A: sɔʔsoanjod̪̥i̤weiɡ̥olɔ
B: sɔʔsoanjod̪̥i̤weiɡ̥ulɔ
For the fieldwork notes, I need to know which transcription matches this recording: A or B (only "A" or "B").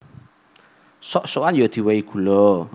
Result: B